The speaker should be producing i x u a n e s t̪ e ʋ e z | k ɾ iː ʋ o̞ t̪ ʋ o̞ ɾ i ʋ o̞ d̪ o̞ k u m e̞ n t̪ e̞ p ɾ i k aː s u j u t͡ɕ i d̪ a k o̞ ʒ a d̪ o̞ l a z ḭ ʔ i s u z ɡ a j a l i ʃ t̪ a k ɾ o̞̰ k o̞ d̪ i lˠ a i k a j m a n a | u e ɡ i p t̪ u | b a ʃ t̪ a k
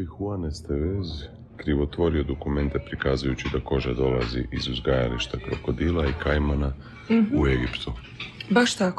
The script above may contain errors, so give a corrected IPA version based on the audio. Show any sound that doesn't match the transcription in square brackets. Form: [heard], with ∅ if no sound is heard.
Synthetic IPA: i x u a n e s t̪ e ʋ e z | k ɾ [i] ʋ o̞ t̪ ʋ o̞ ɾ i [∅] o̞ d̪ o̞ k u m e̞ n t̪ e̞ p ɾ i k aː [z] u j u t͡ɕ i d̪ a k o̞ ʒ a d̪ o̞ l a z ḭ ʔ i [z] u z ɡ a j a l i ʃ t̪ a k ɾ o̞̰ k o̞ d̪ i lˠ a i k a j m a n a | u e ɡ i p t̪ u | b a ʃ t̪ a k